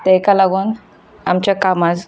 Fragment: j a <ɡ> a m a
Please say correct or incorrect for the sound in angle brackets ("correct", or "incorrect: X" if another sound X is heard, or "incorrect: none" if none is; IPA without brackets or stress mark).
incorrect: k